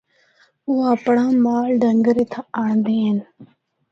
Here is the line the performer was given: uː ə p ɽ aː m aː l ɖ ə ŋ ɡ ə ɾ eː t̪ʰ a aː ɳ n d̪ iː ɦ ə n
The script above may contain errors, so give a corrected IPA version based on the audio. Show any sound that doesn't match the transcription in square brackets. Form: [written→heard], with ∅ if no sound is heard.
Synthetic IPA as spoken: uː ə p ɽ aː m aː l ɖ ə ŋ ɡ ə ɾ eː t̪ʰ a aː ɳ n d̪ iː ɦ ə n